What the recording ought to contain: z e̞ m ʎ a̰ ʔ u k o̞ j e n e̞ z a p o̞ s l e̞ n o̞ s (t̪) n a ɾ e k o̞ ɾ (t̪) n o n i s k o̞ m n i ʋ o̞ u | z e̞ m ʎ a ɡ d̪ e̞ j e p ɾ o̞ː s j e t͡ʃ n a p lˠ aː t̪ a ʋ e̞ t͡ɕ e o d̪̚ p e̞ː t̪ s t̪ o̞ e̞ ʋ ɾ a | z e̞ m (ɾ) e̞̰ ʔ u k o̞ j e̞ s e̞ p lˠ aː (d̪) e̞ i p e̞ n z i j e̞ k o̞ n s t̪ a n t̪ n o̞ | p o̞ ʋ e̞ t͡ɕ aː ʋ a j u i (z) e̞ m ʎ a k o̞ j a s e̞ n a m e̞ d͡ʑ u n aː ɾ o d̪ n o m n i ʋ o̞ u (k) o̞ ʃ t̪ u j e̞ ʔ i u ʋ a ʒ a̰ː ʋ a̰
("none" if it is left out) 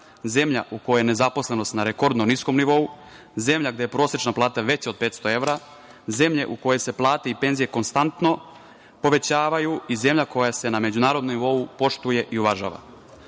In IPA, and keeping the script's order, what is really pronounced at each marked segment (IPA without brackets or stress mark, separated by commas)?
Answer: t̪, d̪, ʎ, t̪, z, p